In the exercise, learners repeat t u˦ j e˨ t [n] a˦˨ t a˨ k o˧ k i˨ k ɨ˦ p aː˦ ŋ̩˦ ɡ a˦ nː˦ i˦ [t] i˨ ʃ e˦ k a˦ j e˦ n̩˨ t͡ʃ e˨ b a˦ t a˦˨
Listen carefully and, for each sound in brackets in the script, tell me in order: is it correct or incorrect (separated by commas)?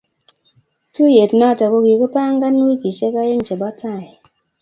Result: correct, incorrect